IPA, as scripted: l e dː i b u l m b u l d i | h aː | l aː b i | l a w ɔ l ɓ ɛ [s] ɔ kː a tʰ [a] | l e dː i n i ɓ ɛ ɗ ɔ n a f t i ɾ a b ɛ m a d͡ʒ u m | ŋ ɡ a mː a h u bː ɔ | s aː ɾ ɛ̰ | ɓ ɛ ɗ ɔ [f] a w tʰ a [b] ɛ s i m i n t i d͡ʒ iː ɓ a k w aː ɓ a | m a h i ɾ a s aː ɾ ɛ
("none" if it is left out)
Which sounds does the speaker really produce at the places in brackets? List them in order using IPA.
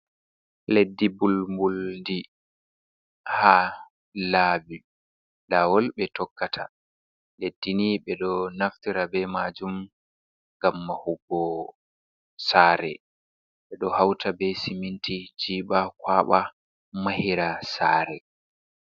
t, a, h, b

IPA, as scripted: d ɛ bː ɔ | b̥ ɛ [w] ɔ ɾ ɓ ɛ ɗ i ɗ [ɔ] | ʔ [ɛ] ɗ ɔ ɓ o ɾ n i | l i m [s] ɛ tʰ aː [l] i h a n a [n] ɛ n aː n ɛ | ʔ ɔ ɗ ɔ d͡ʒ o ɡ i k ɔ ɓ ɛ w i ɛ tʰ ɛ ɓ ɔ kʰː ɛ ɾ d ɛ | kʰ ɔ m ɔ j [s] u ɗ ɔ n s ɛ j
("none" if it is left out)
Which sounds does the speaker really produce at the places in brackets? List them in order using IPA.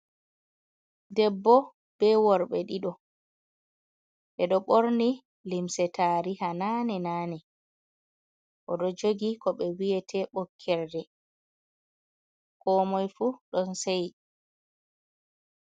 w, ɔ, ɛ, s, ɾ, n, f

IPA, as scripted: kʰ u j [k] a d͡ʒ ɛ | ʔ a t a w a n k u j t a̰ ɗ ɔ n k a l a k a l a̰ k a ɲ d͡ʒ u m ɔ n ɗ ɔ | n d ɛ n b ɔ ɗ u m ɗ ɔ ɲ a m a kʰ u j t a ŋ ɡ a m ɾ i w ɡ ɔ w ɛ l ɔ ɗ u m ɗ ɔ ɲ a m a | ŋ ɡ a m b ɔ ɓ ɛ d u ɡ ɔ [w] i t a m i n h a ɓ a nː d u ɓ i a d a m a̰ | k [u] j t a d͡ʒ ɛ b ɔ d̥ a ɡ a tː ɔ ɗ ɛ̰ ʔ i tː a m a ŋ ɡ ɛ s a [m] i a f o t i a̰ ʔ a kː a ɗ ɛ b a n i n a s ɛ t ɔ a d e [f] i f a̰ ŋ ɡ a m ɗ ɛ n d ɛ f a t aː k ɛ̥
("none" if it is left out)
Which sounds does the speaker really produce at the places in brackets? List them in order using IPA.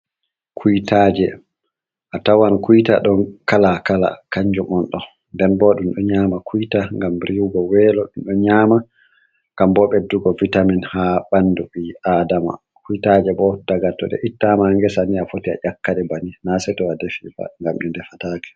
t, v, u, n, f

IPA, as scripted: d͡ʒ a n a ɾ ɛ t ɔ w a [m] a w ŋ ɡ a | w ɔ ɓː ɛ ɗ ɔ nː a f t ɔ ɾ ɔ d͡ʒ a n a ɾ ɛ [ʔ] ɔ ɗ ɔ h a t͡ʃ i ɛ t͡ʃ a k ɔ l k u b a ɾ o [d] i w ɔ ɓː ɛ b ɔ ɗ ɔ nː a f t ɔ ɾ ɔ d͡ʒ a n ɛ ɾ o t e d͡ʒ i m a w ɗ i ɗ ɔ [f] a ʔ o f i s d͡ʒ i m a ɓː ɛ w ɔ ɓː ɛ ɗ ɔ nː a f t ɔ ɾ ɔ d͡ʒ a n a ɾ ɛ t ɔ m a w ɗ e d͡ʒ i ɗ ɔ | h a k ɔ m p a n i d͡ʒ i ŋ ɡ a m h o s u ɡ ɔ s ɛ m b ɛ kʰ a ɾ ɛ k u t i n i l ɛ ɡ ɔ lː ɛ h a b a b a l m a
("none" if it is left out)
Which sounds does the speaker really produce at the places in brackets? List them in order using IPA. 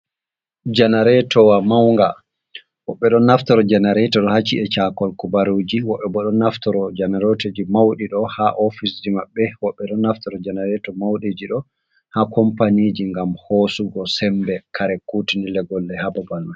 m, t, d͡ʒ, h

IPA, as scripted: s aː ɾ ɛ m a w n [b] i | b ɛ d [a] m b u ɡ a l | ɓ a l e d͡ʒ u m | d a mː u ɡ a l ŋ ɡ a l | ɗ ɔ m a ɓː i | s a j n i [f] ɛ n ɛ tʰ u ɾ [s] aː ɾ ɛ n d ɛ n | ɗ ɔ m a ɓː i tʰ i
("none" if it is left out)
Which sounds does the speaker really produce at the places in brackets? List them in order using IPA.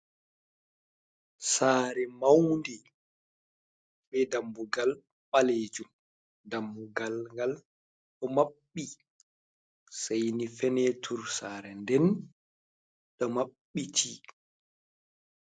d, a, f, s

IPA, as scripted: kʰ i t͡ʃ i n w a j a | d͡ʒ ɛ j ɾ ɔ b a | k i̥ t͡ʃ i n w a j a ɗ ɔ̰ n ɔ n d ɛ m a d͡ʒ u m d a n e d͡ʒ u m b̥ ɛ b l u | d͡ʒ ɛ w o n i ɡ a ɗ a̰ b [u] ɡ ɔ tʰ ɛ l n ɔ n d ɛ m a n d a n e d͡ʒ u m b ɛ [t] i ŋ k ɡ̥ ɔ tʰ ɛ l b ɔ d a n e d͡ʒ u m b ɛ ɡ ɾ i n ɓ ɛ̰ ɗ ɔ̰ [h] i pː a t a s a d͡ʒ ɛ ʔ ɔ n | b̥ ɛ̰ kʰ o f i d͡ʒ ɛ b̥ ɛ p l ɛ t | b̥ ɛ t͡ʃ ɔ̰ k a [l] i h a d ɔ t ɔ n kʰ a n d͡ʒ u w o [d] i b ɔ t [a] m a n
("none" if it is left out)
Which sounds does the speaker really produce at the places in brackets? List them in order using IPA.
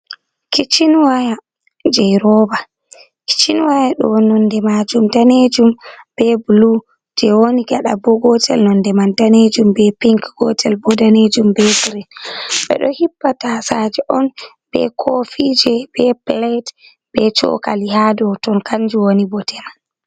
ɔ, p, h, l, n, ɛ

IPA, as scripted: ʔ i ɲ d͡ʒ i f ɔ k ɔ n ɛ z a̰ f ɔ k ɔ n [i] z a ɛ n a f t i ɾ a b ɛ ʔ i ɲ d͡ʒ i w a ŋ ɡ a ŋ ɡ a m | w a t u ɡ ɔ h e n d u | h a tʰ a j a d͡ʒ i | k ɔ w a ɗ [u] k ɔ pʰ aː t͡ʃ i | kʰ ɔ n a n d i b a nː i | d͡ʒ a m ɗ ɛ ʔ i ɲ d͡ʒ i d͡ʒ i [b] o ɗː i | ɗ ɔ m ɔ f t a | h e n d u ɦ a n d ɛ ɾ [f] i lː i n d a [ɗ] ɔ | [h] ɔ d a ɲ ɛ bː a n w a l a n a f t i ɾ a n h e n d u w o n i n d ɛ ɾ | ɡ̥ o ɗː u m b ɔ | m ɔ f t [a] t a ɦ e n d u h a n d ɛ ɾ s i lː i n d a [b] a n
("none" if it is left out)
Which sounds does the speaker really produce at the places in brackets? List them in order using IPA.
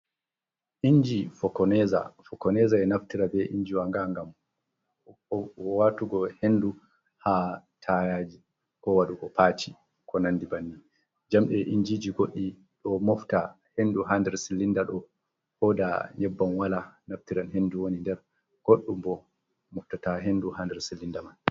ɛ, u, ɡ, s, ɗ, h, a, m

